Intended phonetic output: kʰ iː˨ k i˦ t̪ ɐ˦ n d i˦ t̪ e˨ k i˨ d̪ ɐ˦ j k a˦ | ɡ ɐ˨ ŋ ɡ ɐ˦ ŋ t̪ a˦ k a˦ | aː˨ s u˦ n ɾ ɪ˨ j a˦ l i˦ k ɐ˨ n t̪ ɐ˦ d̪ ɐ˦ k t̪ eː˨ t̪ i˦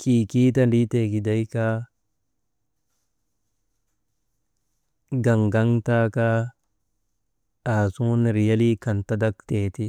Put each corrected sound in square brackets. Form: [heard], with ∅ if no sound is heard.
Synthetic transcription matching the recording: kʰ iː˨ k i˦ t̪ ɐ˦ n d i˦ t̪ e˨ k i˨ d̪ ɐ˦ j k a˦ | ɡ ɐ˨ ŋ ɡ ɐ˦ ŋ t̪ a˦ k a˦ | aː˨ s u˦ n ɾ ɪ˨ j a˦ l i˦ k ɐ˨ n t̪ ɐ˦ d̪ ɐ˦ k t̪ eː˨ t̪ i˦